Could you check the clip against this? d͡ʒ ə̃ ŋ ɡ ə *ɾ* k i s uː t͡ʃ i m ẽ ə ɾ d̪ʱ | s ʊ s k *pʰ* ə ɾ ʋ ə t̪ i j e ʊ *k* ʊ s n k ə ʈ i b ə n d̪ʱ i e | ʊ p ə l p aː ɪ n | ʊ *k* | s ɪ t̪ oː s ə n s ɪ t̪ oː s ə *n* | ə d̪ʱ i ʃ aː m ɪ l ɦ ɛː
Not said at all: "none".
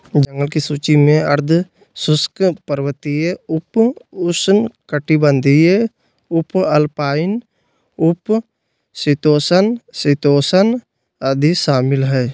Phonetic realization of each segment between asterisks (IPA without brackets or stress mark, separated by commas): l, p, p, p, n